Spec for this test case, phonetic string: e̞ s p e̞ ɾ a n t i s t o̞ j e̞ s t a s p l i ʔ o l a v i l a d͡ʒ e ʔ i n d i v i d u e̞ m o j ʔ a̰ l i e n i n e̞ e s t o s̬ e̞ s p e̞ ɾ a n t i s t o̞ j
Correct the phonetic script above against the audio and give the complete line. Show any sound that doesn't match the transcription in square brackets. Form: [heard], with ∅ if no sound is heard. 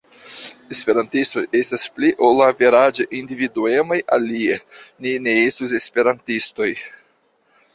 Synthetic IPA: e̞ s p e̞ ɾ a n t i s t o̞ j e̞ s t a s p l i ʔ o l a v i [ɾ] a d͡ʒ e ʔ i n d i v i d u e̞ m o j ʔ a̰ l i e n i n e̞ e s t [u] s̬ e̞ s p e̞ ɾ a n t i s t o̞ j

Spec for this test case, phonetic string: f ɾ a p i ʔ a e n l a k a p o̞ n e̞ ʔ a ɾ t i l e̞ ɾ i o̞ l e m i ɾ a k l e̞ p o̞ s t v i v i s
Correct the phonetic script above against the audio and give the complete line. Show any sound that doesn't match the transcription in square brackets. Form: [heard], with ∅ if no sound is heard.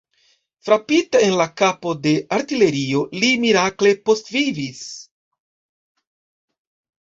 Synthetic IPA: f ɾ a p i [t] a e n l a k a p o̞ [d] e̞ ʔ a ɾ t i l e̞ ɾ i o̞ l [i] m i ɾ a k l e̞ p o̞ s t v i v i s

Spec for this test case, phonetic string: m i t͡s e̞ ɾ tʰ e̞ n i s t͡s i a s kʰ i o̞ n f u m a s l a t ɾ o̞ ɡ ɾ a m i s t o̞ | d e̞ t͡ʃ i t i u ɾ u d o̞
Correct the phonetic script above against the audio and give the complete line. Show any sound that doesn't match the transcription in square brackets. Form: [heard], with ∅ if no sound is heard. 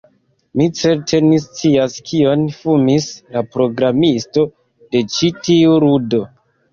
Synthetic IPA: m i t͡s e̞ ɾ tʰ e̞ n i s t͡s i a s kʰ i o̞ n f u m [i] s l a [p] ɾ o̞ ɡ ɾ a m i s t o̞ | d e̞ t͡ʃ i t i u ɾ u d o̞

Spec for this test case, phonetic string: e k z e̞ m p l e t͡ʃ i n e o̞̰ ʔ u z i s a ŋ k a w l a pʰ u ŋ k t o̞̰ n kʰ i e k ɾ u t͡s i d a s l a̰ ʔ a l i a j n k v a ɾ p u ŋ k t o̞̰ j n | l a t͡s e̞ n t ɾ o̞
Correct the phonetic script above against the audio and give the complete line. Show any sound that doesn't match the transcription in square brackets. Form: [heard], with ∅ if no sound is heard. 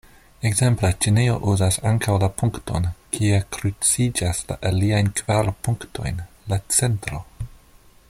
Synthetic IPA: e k z e̞ m p l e t͡ʃ i n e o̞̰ ʔ u z [a] s a ŋ k a w l a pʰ u ŋ k t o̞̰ n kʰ i e k ɾ u t͡s i [d͡ʒ] a s l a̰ ʔ a l i a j n k v a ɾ p u ŋ k t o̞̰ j n | l a t͡s e̞ n t ɾ o̞

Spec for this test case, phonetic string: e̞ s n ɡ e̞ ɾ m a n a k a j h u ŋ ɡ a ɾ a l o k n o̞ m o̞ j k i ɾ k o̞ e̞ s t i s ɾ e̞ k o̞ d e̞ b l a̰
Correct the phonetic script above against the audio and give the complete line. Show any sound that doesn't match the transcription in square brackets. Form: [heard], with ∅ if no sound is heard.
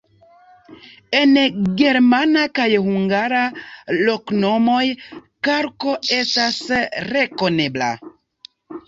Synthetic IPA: e̞ [∅] n ɡ e̞ ɾ m a n a k a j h u ŋ ɡ a ɾ a l o k n o̞ m o̞ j k [a] ɾ k o̞ e̞ s t [a] s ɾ e̞ k o̞ [n] e̞ b l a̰

